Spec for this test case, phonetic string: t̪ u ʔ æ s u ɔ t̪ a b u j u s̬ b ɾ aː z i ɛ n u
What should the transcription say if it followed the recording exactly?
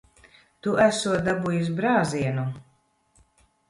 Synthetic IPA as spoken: t̪ u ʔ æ s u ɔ d̪ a b u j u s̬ b ɾ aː z i ɛ n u